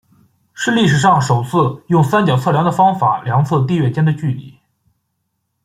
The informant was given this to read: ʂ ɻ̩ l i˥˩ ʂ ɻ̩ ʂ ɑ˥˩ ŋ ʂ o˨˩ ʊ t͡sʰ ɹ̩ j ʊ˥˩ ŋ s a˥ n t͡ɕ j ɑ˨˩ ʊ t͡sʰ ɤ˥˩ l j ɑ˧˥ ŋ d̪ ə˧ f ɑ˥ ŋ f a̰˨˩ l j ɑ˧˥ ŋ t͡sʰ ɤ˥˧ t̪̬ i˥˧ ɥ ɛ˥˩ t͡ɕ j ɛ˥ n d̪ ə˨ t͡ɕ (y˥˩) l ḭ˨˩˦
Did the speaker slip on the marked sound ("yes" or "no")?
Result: no